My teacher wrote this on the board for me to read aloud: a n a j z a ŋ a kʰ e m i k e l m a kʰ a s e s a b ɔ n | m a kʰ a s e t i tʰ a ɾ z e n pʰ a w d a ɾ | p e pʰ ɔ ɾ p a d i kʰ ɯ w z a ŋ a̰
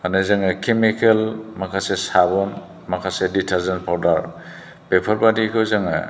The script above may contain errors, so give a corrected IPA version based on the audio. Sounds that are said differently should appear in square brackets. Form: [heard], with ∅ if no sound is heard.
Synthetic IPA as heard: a n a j z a ŋ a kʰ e m i k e l m a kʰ a s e s a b ɔ n | m a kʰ a s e [d] i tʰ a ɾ z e n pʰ a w d a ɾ | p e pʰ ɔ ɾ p a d i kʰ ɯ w z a ŋ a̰